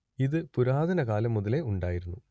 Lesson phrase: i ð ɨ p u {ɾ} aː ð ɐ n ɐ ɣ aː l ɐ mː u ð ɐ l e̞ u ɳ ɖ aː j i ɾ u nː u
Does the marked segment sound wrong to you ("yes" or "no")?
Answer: no